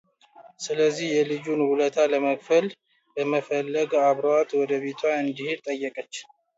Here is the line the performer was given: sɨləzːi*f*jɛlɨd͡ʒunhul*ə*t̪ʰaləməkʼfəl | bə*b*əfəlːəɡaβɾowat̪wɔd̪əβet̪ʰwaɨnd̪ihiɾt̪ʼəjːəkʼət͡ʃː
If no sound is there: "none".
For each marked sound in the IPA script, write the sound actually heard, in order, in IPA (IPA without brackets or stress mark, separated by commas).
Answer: h, ə, m